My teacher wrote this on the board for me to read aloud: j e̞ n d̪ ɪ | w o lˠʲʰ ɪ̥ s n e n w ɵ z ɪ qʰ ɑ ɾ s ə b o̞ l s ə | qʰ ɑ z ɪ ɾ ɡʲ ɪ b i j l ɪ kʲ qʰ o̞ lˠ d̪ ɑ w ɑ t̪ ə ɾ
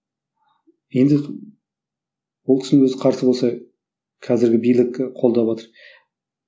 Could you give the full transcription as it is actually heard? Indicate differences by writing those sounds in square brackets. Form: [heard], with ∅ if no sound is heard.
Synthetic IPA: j e̞ n d̪ ɪ | w o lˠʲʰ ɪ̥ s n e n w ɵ z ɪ qʰ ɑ ɾ s ə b o̞ l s [ɑ] | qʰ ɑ z ɪ ɾ ɡʲ ɪ b i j l ɪ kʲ qʰ o̞ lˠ d̪ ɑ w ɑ t̪ ə ɾ